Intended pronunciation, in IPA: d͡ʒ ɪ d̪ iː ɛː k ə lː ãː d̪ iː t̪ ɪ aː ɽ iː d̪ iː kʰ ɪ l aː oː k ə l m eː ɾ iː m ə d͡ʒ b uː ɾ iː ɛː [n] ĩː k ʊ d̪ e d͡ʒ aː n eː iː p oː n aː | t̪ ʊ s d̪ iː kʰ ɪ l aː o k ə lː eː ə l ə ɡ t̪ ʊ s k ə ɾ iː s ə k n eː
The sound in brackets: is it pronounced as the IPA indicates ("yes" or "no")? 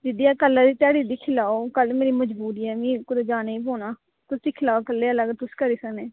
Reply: no